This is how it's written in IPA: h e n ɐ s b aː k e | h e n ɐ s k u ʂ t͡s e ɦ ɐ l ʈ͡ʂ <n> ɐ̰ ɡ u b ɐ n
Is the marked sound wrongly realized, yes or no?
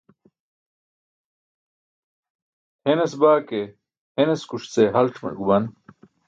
yes